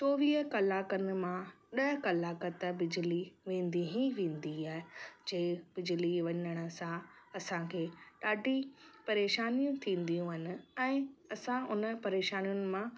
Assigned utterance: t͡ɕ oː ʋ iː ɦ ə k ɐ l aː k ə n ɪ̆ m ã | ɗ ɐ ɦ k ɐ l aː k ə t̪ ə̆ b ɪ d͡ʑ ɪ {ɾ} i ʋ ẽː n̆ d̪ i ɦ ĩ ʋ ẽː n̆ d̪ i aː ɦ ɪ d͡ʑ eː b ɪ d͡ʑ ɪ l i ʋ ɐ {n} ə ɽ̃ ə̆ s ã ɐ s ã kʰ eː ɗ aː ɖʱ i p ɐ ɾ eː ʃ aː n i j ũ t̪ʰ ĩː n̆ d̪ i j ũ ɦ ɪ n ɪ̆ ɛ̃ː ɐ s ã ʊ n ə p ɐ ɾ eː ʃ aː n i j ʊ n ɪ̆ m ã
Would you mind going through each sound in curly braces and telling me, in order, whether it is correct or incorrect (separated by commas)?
incorrect, incorrect